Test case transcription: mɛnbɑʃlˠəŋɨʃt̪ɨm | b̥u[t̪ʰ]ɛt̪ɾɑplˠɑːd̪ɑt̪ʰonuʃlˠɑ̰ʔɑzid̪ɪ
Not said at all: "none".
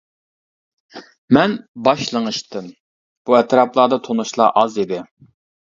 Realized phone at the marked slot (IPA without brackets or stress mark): none